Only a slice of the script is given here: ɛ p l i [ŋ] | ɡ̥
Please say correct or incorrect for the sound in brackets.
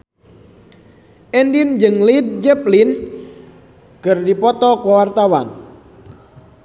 incorrect